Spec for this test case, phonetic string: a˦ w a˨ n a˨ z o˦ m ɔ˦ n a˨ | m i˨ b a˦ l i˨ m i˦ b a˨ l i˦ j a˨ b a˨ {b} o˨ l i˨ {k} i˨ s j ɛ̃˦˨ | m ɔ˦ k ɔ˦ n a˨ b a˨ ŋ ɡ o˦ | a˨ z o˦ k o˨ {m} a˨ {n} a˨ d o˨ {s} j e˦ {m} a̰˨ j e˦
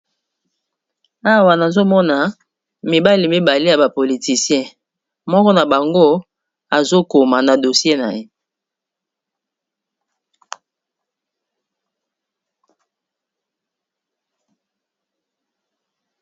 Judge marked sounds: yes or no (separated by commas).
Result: no, no, yes, yes, yes, no